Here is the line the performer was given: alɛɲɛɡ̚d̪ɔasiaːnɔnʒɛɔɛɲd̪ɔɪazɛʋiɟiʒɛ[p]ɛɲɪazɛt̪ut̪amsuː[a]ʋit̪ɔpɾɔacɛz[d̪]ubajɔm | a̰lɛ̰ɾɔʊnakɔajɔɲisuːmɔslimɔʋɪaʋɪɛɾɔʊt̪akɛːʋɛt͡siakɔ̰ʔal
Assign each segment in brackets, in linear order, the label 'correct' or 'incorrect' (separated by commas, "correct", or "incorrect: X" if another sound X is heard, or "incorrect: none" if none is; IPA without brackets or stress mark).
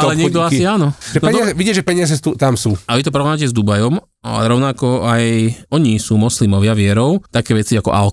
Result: correct, correct, correct